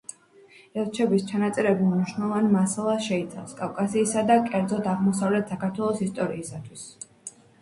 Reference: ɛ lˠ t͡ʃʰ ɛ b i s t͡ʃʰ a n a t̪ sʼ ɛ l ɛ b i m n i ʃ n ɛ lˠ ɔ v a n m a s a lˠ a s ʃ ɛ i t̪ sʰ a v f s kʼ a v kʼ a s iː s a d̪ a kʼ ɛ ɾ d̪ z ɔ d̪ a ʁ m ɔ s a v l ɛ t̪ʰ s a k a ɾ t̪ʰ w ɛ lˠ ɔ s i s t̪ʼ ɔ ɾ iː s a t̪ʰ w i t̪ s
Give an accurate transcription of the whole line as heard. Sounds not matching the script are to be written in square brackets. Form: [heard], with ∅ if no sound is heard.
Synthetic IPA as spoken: ɛ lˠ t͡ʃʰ ɛ b i s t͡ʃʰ a n a t̪ sʼ ɛ [ɾ] ɛ b i m n i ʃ n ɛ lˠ ɔ v a n m a s a lˠ a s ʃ ɛ i t̪ sʰ a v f s kʼ a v kʼ a s iː s a d̪ a kʼ ɛ ɾ d̪ z ɔ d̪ a ʁ m ɔ s a v l ɛ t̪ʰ s a k a ɾ t̪ʰ w ɛ lˠ ɔ s i s t̪ʼ ɔ ɾ iː s a t̪ʰ w i [∅] s

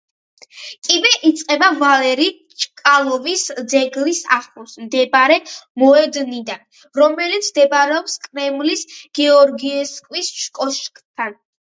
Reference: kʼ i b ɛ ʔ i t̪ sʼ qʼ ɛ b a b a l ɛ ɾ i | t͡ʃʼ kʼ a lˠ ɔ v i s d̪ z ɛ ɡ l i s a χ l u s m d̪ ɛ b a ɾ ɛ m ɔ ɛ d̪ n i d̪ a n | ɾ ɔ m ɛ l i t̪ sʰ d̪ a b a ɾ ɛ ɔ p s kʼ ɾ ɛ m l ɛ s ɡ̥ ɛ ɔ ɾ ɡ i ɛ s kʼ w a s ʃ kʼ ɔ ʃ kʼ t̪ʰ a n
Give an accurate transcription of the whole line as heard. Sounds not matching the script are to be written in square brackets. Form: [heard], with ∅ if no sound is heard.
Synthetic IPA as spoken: kʼ i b ɛ ʔ i t̪ sʼ qʼ ɛ b a [v] a l ɛ ɾ i | t͡ʃʼ kʼ a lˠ ɔ v i s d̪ z ɛ ɡ l i s a χ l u s m d̪ ɛ b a ɾ ɛ m ɔ ɛ d̪ n i d̪ a n | ɾ ɔ m ɛ l i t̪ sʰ d̪ [ɛ] b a ɾ ɛ ɔ p s kʼ ɾ ɛ m l [i] s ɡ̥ ɛ ɔ ɾ ɡ i ɛ s kʼ w [i] s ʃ kʼ ɔ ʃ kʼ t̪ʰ a n

